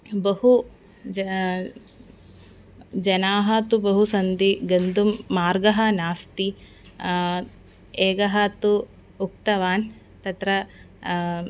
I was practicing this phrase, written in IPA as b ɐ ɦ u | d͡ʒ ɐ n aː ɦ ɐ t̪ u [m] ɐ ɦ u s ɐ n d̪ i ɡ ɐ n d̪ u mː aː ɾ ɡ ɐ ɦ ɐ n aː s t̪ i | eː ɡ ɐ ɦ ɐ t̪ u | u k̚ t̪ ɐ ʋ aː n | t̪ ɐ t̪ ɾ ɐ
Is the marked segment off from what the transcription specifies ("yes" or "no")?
yes